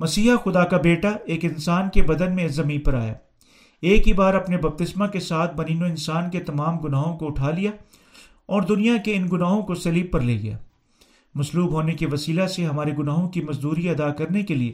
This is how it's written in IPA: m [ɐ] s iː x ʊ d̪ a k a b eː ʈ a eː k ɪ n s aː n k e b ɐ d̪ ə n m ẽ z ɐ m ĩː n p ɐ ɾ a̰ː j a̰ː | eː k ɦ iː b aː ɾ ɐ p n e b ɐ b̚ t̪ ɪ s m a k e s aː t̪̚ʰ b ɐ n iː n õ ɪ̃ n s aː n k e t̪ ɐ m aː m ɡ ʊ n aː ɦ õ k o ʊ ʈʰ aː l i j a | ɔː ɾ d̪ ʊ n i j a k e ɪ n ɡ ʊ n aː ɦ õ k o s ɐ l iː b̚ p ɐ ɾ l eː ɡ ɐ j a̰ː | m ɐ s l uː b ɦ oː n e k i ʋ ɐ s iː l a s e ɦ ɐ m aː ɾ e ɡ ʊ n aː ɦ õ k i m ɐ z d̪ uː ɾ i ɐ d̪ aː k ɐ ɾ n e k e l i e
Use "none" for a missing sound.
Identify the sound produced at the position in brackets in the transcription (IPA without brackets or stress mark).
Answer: ɐ